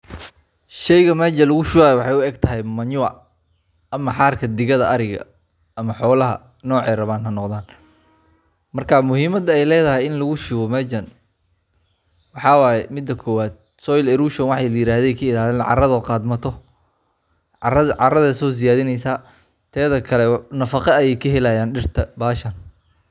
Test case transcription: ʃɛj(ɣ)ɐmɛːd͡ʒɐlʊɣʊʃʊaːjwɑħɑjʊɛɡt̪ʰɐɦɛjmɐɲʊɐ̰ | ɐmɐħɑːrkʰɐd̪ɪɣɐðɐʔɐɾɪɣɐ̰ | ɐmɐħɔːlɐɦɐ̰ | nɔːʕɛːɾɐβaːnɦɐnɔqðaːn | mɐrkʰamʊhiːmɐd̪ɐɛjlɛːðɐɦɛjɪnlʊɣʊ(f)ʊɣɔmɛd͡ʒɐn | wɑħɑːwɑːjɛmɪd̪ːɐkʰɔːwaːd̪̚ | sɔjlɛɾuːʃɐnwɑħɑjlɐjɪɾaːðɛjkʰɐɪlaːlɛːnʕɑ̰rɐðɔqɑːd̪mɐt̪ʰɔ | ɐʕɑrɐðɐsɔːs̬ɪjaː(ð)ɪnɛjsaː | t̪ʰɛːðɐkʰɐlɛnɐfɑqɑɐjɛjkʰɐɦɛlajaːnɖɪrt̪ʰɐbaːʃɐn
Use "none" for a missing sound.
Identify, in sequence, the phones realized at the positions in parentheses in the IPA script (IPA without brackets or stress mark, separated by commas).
ɣ, ʃ, ð